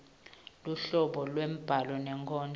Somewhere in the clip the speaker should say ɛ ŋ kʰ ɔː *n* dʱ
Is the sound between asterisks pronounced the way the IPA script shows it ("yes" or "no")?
yes